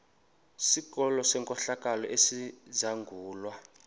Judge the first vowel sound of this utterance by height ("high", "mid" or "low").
high